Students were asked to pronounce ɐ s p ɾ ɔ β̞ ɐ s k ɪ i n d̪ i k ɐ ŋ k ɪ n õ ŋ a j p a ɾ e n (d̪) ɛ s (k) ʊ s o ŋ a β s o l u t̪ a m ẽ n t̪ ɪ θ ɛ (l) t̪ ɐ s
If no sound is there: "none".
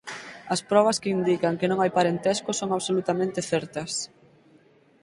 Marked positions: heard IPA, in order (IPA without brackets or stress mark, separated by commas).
t̪, k, ɾ